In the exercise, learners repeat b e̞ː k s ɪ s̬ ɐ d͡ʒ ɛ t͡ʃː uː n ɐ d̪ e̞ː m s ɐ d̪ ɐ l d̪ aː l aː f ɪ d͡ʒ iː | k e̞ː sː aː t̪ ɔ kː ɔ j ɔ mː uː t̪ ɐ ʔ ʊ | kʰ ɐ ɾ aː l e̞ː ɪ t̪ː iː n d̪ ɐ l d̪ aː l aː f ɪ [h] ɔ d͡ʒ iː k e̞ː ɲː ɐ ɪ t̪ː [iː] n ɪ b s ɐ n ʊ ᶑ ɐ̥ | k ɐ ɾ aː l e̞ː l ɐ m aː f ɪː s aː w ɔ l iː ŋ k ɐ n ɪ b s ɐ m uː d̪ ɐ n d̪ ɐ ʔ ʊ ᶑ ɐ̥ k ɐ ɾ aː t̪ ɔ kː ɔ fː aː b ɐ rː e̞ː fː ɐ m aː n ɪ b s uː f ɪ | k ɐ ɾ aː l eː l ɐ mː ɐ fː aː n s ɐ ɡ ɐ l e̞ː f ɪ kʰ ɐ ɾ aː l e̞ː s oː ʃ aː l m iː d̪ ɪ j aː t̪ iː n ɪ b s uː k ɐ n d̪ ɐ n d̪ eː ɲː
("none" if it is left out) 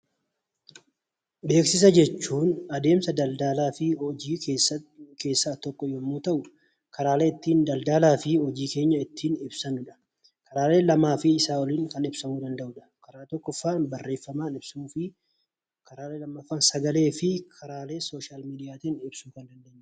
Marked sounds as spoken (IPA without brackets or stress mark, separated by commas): h, iː